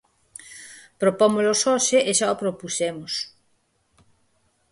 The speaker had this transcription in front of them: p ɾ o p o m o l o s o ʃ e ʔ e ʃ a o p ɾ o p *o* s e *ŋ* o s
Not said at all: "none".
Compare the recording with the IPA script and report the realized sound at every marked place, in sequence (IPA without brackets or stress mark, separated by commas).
u, m